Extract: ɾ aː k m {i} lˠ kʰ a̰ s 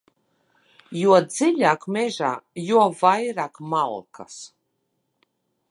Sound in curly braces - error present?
yes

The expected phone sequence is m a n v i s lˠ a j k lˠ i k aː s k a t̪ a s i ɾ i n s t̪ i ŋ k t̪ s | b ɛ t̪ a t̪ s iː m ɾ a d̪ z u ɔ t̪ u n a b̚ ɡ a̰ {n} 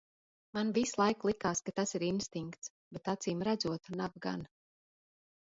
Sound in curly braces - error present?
no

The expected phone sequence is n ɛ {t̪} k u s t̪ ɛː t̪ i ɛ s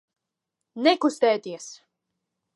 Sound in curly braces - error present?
yes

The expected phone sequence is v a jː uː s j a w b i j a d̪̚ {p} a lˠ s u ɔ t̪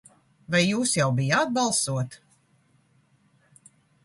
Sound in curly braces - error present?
yes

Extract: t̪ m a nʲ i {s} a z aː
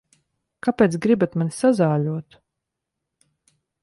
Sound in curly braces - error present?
no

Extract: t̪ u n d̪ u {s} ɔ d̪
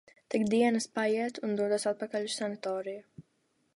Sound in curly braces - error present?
yes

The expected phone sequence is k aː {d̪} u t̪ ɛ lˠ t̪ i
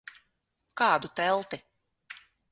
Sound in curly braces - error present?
no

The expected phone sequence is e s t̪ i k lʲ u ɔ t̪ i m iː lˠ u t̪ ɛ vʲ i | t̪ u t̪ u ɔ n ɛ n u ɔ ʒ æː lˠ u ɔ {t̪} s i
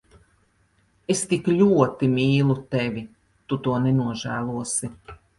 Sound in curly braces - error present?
yes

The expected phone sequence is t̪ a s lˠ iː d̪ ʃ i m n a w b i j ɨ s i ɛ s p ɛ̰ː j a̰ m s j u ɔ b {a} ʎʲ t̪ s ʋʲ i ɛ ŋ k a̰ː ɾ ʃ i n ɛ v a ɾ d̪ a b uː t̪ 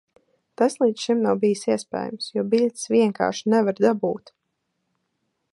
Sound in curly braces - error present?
yes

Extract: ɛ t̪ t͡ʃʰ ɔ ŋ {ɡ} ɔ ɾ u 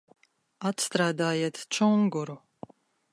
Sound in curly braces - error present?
no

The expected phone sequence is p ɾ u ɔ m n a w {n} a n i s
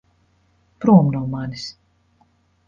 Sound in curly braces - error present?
yes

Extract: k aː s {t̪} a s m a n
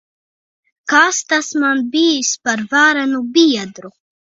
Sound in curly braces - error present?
no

